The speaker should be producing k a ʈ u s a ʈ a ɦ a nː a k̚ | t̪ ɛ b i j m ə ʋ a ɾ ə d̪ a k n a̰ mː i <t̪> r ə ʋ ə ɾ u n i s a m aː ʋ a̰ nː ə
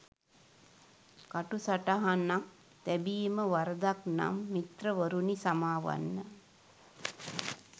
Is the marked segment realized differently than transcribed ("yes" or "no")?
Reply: no